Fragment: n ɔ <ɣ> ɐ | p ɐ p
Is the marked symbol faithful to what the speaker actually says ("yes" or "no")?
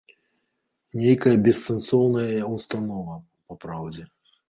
no